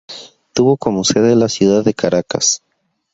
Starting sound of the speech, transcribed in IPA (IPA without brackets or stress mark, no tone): t̪